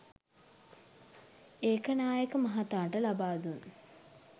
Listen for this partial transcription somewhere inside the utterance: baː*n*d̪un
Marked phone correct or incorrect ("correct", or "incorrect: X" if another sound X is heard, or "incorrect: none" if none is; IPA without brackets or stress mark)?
incorrect: none